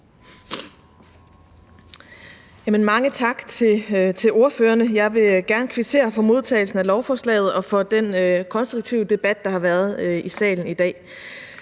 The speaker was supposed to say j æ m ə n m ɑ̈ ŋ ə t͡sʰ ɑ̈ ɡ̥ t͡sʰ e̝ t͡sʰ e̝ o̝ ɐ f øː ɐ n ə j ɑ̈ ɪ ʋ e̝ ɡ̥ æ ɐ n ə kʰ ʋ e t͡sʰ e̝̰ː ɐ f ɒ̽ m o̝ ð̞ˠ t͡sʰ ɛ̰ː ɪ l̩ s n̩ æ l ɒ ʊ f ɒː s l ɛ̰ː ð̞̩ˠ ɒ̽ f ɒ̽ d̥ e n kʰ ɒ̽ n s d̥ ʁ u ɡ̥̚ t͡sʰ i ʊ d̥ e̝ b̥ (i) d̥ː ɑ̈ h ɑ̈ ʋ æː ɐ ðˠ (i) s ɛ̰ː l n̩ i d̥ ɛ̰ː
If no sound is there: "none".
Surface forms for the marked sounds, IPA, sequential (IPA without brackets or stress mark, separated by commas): æ, i